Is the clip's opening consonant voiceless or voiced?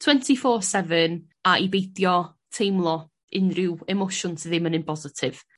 voiceless